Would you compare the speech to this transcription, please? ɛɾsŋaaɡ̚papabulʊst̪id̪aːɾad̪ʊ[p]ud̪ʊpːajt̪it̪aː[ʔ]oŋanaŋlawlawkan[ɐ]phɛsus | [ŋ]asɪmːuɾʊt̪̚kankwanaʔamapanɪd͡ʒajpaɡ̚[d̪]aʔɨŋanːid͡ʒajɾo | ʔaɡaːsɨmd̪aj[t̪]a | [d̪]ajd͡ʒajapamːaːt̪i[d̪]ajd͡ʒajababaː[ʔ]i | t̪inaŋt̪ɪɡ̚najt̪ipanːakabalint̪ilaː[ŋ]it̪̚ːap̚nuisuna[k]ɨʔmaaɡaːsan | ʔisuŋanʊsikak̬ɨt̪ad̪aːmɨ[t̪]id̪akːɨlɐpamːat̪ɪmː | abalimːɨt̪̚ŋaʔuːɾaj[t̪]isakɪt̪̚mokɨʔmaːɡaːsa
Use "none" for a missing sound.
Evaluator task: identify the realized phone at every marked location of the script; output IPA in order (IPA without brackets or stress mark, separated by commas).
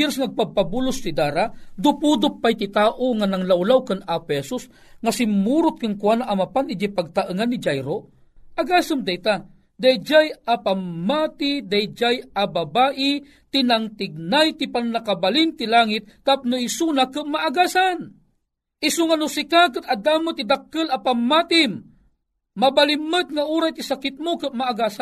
p, ʔ, a, ŋ, t̪, t̪, d̪, d̪, ʔ, ŋ, k, t̪, t̪